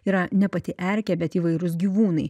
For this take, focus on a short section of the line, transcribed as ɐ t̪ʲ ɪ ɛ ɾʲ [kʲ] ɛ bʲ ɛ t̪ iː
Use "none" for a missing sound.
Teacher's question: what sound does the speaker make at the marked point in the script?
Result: kʲ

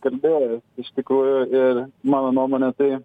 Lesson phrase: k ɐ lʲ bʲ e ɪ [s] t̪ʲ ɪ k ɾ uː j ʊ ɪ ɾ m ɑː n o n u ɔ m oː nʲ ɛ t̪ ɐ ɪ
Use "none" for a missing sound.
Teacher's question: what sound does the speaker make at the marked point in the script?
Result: ʃ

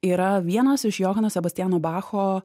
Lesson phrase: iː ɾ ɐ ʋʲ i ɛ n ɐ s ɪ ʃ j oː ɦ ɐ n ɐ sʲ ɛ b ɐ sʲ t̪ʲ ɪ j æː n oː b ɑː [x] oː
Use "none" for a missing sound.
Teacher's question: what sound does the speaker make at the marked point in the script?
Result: x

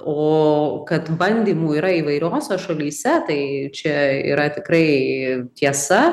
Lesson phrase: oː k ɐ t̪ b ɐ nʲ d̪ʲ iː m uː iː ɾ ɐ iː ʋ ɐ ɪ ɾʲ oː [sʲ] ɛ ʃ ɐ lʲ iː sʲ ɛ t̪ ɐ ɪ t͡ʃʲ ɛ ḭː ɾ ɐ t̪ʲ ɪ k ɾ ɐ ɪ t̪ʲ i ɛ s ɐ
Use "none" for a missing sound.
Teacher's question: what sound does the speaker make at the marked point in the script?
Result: sʲ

